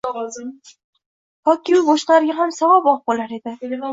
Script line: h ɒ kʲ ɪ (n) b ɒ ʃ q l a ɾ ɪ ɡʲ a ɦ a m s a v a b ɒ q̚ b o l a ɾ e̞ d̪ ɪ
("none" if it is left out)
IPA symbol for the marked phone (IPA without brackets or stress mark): m